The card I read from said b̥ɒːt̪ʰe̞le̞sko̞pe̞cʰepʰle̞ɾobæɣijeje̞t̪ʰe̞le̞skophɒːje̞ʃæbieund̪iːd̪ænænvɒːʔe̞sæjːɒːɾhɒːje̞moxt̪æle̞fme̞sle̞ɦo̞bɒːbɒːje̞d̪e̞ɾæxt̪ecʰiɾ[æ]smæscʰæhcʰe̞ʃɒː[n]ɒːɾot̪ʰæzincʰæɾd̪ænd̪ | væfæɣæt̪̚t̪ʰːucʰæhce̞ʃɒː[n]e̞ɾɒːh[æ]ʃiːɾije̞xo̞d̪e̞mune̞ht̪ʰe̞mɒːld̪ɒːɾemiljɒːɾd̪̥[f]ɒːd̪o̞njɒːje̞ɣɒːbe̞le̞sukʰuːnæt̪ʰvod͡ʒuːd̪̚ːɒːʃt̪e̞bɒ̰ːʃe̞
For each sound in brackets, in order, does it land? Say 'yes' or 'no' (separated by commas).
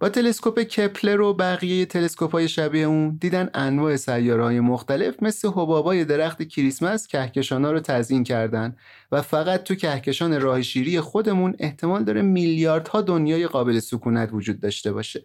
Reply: no, yes, yes, no, no